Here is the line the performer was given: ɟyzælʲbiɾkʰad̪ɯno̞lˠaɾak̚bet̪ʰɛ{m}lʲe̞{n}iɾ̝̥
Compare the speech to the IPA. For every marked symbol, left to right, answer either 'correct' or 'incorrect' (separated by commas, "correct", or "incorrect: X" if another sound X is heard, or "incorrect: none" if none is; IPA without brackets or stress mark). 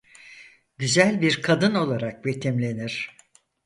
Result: correct, correct